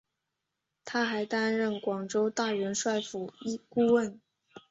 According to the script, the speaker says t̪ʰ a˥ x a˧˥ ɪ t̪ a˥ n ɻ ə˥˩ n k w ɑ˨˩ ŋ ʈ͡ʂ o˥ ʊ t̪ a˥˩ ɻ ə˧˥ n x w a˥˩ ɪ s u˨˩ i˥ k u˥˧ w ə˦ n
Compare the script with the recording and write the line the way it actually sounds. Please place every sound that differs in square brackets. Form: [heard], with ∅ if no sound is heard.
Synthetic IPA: t̪ʰ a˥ x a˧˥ ɪ t̪ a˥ n ɻ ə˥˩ n k w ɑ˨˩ ŋ ʈ͡ʂ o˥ ʊ t̪ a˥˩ ɻ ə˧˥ n [ʂ] w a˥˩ ɪ [f] u˨˩ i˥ k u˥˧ w [ə˥˩] n